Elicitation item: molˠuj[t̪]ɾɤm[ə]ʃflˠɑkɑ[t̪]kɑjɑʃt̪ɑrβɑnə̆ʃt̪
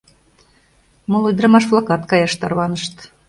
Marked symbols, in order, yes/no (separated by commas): no, no, yes